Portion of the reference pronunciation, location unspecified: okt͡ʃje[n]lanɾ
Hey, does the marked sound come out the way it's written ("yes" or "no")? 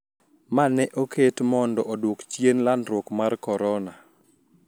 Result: yes